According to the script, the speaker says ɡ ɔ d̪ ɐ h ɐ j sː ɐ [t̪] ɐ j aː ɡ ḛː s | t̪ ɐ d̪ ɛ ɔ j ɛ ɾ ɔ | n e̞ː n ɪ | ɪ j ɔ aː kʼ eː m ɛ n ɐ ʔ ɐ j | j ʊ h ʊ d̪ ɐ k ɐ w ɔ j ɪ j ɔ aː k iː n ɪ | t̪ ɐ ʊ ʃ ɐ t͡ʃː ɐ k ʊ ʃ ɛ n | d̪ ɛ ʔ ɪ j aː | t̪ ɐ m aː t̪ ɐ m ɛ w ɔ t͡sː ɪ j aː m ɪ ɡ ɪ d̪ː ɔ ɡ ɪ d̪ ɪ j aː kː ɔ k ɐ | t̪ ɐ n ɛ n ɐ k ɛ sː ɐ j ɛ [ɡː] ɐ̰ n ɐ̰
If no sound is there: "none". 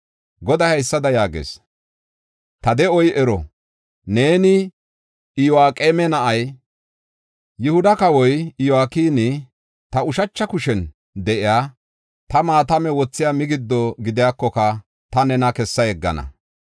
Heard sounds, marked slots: d̪, ɡː

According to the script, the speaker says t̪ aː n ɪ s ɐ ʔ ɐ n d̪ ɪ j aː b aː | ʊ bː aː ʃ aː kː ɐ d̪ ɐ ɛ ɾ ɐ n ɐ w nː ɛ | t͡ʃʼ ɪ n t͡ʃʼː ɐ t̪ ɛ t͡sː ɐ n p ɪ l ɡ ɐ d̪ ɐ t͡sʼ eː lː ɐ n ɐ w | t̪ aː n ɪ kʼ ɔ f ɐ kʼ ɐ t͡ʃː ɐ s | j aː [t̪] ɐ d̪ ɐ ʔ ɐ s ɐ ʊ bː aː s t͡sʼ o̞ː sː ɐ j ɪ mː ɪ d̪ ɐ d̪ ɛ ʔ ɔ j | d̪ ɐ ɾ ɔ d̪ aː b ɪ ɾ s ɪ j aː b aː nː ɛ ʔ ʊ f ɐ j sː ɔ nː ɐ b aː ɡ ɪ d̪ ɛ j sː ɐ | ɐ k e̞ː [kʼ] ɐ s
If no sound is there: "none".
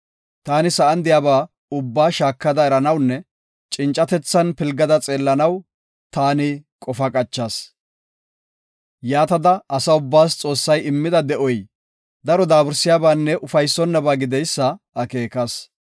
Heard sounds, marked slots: t̪, k

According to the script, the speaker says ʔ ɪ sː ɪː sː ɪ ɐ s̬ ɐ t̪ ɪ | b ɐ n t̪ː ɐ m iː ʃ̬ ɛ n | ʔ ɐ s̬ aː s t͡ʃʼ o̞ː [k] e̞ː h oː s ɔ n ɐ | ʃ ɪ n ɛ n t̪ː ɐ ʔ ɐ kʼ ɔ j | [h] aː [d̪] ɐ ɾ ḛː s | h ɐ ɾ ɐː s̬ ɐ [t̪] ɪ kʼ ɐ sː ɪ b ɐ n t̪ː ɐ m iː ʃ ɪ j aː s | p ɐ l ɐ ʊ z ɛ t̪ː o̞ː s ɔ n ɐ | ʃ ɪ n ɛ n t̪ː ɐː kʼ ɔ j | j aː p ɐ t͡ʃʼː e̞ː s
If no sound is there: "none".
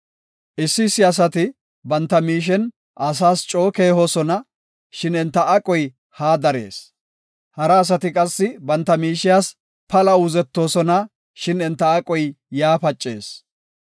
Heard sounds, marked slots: k, h, d̪, t̪

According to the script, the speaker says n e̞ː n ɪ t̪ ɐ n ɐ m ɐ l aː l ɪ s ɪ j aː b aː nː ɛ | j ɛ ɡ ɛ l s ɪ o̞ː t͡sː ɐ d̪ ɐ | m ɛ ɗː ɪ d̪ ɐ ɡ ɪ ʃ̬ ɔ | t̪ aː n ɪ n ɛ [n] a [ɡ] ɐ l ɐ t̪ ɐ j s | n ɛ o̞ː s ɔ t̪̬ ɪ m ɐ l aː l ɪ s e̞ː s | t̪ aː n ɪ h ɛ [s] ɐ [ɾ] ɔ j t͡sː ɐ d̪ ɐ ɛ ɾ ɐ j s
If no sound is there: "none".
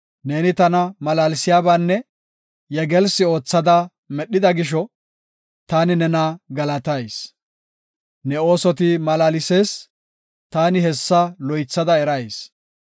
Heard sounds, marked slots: n, ɡ, sː, l

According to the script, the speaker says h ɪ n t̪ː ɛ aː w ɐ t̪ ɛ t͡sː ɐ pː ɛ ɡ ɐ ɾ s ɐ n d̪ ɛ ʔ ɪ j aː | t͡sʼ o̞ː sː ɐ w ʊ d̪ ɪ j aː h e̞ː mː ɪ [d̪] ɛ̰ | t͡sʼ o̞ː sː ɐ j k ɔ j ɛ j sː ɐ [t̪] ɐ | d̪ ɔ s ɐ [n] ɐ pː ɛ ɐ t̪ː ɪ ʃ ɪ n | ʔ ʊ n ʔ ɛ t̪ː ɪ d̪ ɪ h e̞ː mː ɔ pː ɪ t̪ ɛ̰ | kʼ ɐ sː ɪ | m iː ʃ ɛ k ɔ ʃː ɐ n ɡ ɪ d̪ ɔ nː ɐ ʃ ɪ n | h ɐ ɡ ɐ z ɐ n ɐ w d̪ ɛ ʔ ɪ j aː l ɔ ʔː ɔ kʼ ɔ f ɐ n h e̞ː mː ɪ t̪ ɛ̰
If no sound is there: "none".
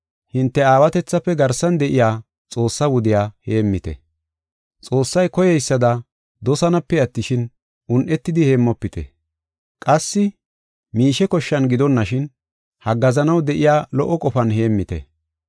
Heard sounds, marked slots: t̪, d̪, n

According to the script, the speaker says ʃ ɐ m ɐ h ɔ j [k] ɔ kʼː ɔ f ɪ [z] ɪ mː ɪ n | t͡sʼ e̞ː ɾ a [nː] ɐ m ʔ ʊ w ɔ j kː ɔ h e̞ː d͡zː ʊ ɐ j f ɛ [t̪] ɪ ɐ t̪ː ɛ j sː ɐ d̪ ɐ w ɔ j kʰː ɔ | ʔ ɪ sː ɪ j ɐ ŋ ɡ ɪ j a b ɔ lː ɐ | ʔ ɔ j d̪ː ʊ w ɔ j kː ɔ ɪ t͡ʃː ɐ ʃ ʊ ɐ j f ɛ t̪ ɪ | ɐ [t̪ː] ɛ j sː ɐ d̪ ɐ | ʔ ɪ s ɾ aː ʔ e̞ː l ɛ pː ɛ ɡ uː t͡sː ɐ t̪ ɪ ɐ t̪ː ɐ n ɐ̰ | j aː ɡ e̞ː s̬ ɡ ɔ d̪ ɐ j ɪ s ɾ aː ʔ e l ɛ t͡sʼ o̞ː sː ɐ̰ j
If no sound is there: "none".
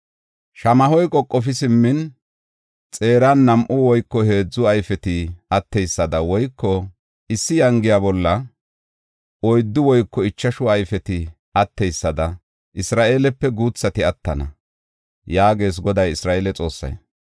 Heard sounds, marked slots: kʼ, s, nː, t̪, t̪ː

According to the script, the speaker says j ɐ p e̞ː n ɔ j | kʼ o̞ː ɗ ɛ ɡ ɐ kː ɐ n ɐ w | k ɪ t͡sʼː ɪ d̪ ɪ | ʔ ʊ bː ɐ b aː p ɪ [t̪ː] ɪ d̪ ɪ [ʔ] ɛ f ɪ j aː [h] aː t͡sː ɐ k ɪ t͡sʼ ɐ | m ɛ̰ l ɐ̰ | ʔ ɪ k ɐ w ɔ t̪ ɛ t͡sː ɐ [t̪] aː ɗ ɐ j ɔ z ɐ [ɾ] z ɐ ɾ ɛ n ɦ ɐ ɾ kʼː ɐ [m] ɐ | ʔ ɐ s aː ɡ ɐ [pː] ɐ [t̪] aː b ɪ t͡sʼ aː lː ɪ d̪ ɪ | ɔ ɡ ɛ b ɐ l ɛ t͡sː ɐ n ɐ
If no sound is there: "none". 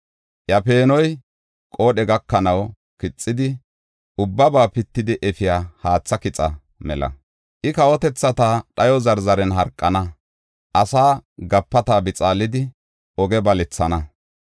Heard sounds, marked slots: t̪ː, ʔ, h, t̪, ɾ, n, pː, t̪

